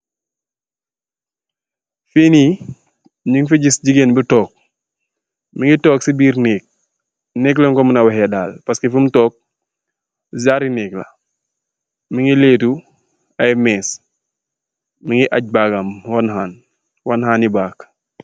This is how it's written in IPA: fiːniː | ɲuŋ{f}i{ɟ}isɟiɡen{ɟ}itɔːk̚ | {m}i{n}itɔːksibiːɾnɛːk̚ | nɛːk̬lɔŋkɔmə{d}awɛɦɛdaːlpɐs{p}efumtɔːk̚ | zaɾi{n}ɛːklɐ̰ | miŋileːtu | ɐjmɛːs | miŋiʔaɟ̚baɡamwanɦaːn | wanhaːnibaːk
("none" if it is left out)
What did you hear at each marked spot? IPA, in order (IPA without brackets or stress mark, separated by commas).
f, ɟ, b, m, ŋ, n, k, n